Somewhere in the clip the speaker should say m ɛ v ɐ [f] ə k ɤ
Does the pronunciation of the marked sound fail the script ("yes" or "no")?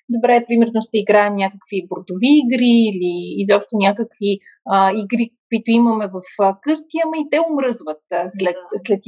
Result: no